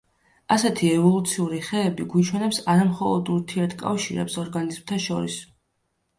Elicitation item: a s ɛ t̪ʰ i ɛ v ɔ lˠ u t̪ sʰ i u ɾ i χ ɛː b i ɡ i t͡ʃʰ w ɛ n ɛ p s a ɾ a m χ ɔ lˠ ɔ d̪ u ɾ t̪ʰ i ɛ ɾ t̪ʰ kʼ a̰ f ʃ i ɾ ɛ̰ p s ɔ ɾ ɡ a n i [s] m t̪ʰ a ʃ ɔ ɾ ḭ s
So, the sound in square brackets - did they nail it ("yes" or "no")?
no